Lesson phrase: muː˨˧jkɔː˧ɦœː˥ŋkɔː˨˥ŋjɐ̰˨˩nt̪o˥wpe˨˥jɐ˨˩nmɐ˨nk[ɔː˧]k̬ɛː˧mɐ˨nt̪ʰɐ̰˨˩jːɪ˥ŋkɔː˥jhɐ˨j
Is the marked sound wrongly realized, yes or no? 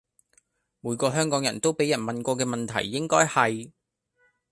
no